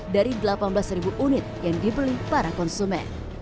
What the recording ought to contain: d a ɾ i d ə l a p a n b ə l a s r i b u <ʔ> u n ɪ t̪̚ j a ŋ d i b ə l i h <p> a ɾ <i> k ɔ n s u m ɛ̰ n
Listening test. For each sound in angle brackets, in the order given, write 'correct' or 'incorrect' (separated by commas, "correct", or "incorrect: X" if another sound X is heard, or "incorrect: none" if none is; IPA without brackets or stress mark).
correct, correct, incorrect: a